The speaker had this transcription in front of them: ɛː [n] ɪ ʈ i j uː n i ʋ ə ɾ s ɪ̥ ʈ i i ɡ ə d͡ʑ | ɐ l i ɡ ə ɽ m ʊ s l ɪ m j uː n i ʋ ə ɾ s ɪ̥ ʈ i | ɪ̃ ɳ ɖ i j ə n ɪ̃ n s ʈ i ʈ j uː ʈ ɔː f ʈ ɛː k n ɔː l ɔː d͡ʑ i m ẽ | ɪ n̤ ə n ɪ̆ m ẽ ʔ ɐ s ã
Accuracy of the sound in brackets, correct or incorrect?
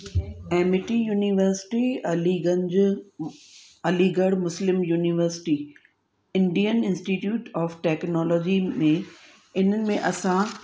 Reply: incorrect: m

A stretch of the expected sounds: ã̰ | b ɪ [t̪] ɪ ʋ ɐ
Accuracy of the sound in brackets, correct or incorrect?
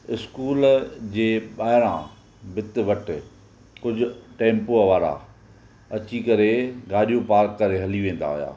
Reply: correct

